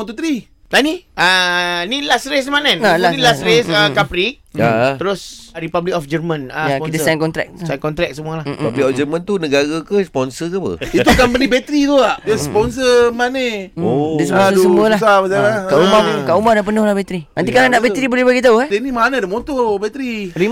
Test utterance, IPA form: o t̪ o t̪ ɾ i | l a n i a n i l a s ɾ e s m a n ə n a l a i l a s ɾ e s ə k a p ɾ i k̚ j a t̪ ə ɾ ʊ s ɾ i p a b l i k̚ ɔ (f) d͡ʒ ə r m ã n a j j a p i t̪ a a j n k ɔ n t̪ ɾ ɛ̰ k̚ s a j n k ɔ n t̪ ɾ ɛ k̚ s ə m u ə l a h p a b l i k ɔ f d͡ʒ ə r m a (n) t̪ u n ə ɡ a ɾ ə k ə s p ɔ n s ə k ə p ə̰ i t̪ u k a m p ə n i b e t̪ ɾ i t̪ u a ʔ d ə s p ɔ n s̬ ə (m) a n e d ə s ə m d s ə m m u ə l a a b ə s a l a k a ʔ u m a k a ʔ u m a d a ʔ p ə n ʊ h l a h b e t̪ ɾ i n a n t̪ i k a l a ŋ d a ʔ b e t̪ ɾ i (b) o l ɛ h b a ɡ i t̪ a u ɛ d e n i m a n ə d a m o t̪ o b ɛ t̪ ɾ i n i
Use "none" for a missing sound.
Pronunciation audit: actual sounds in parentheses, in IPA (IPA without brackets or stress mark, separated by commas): f, n, m, b